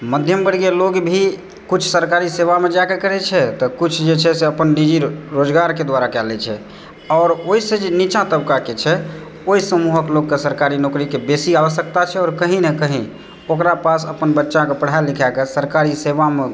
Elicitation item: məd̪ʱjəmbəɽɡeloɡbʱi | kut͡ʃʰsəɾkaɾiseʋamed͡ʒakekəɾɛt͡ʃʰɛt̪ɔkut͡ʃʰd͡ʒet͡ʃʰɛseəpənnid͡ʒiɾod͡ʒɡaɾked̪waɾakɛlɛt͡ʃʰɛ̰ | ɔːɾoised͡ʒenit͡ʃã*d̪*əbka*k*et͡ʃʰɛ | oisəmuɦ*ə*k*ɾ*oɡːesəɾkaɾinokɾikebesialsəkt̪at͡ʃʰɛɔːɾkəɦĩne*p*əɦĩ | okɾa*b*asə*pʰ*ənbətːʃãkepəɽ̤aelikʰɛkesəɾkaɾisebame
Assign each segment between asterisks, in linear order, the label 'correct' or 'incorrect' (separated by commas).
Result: incorrect, correct, correct, incorrect, incorrect, incorrect, incorrect